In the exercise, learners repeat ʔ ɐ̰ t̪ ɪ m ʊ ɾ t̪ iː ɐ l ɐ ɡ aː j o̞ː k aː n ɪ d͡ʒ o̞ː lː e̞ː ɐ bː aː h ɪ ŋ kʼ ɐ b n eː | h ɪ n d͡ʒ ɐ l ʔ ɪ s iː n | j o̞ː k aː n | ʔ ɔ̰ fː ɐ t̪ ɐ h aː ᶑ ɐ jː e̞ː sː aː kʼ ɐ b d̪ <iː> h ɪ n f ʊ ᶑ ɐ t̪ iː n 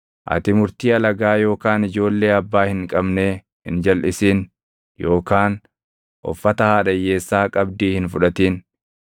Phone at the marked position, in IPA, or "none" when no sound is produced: iː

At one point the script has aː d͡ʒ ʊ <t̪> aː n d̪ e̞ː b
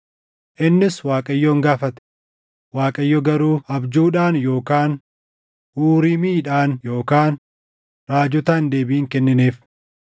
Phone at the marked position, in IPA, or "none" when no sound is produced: t̪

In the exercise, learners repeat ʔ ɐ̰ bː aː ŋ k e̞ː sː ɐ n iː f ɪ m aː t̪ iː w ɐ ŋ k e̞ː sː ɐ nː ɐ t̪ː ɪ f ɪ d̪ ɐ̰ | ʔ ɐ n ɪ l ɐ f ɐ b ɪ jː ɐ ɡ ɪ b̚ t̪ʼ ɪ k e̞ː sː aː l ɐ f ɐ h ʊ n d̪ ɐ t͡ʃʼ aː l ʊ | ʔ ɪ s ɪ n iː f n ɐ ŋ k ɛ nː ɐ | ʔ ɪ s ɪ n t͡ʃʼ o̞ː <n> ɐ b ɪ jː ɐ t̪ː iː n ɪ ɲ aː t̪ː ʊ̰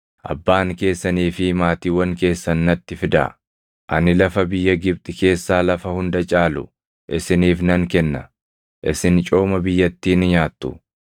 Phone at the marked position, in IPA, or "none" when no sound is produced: m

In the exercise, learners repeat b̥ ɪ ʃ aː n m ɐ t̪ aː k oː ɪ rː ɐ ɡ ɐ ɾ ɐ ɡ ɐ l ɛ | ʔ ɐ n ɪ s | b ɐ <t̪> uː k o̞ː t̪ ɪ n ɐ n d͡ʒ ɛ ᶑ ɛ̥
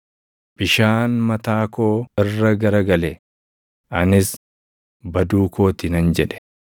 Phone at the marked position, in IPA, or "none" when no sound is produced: d̪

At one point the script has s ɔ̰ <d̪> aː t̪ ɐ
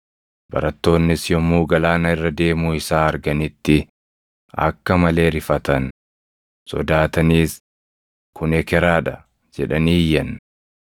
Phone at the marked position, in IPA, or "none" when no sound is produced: d̪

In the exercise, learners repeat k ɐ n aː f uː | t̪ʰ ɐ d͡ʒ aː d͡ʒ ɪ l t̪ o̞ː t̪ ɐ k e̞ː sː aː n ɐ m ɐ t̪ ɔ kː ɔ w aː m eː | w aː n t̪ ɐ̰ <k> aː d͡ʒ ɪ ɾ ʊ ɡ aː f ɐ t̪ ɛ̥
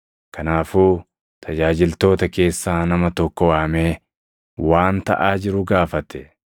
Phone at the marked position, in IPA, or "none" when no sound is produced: ʔ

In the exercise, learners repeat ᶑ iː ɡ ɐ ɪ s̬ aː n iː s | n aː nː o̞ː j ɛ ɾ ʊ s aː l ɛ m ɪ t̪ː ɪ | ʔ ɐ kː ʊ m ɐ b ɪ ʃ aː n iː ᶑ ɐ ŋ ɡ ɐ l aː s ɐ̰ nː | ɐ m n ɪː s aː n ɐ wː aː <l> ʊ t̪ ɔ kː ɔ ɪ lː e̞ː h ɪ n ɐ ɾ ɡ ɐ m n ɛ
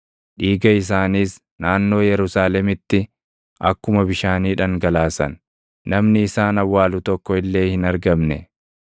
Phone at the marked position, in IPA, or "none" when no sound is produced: l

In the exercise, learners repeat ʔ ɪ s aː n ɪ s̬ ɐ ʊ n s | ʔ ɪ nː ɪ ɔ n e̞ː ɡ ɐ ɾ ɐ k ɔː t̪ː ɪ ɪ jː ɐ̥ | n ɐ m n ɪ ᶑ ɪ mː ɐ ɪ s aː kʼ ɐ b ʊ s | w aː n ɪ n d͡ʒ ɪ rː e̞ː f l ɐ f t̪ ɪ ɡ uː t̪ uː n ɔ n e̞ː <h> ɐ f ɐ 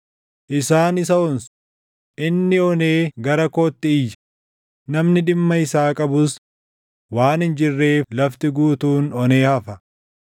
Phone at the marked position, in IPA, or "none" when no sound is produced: h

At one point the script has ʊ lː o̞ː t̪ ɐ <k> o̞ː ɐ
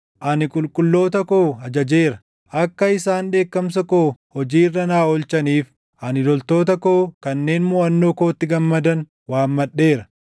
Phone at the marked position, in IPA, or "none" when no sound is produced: k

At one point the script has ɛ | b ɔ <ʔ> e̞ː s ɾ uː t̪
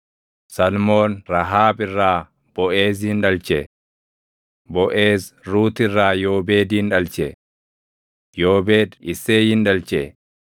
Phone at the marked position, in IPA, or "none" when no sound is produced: ʔ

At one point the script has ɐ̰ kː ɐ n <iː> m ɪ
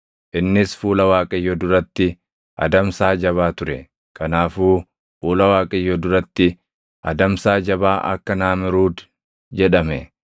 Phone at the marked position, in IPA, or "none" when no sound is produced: aː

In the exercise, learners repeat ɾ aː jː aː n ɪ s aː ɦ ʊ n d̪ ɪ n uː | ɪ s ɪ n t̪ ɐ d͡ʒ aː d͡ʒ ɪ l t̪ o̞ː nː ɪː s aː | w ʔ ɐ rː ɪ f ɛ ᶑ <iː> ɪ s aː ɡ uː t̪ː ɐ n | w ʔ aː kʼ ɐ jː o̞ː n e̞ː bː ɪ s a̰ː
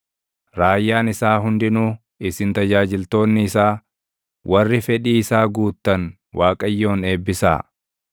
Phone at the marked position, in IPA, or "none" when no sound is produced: iː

